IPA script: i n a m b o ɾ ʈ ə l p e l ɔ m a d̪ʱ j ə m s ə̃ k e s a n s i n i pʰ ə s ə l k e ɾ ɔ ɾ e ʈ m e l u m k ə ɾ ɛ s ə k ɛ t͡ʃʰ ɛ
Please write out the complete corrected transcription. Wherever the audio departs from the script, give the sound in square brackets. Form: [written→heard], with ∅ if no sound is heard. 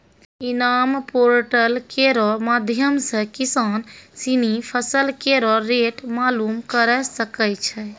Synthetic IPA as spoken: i n a m [b→p] o ɾ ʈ ə l [p→k] e [l→ɾ] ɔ m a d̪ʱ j ə m s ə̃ k [e→i] s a n s i n i pʰ ə s ə l k e ɾ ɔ ɾ e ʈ m [e→a] l u m k ə ɾ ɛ s ə k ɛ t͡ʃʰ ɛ